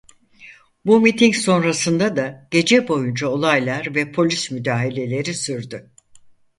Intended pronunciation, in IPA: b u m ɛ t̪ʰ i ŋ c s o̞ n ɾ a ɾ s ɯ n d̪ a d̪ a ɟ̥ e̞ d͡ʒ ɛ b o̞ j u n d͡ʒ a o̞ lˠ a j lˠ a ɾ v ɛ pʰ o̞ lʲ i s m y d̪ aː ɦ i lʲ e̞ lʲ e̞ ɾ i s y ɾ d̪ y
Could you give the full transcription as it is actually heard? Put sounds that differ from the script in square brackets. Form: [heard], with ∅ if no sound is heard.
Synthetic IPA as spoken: b u m [i] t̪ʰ i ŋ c s o̞ n ɾ a [∅] s ɯ n d̪ a d̪ a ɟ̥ e̞ d͡ʒ ɛ b o̞ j u n d͡ʒ a o̞ lˠ a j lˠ a ɾ v ɛ pʰ o̞ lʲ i s m y d̪ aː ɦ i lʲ e̞ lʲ e̞ ɾ i s y ɾ d̪ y